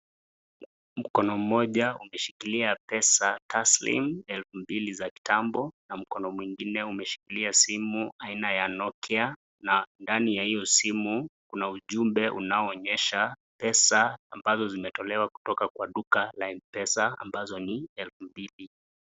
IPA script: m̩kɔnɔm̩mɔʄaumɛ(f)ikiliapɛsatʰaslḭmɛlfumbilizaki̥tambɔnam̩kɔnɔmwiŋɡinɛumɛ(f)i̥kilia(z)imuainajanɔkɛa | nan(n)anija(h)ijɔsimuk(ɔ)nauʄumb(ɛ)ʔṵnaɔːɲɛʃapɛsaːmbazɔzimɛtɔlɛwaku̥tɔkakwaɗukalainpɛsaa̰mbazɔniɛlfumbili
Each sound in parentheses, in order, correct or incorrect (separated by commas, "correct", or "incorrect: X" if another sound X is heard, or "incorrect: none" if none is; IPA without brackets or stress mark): incorrect: ʃ, incorrect: ʃ, incorrect: s, incorrect: d, correct, incorrect: u, correct